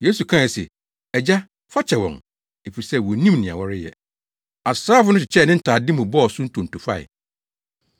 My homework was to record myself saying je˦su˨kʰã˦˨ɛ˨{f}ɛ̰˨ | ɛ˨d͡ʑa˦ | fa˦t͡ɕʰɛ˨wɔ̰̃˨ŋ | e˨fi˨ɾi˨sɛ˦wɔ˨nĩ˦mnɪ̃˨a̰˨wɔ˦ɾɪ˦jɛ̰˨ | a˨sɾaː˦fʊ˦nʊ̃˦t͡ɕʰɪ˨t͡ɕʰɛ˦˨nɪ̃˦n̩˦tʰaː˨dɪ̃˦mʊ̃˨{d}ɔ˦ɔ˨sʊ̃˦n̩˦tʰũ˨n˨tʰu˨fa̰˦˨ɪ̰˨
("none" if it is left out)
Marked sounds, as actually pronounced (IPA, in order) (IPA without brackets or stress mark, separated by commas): s, b